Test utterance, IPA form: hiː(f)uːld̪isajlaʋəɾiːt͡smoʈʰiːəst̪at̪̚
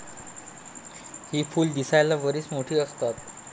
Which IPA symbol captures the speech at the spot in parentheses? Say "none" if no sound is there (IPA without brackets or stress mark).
f